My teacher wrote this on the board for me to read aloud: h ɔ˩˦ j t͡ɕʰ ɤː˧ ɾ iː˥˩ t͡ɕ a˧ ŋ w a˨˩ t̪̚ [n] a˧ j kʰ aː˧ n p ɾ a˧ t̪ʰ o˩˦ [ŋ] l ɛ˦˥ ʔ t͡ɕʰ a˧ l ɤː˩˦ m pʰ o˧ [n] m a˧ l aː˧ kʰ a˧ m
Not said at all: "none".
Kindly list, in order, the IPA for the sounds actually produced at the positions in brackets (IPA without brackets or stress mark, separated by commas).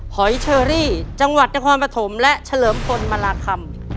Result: n, m, n